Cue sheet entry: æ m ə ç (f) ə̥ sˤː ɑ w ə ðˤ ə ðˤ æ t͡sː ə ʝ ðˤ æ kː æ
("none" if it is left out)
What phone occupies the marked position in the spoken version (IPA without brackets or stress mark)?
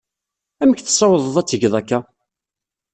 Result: θ